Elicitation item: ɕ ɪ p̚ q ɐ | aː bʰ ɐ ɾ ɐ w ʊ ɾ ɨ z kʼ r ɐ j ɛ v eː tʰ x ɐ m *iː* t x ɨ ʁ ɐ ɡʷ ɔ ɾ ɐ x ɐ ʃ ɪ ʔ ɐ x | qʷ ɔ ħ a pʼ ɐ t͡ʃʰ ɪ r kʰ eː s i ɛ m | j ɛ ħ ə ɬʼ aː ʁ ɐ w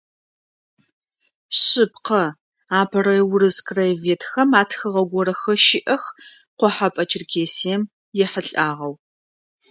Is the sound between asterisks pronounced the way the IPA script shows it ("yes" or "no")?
no